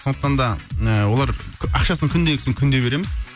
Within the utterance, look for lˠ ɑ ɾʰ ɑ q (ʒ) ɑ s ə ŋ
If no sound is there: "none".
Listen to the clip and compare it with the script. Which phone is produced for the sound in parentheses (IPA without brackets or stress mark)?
ʃ